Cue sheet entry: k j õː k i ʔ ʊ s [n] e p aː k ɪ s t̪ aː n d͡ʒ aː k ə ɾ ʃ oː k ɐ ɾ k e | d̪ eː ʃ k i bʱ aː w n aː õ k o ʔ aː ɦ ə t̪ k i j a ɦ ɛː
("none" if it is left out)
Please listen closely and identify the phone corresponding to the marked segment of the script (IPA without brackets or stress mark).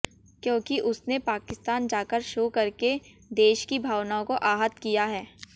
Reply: n